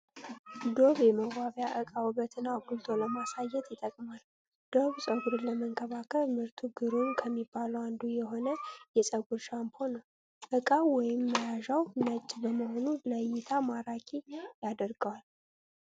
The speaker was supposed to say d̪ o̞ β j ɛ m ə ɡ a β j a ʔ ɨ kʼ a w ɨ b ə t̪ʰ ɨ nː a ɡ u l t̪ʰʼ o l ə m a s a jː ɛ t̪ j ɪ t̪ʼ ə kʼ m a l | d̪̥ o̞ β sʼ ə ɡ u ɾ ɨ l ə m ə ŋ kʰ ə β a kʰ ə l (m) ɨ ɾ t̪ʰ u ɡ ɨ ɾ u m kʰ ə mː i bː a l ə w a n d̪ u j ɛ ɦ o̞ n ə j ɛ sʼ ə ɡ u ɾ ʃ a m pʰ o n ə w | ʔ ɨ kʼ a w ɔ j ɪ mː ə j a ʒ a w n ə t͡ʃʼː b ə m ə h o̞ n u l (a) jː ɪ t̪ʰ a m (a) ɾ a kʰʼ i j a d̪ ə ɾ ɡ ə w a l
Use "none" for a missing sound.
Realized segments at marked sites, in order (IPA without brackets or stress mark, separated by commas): m, ə, a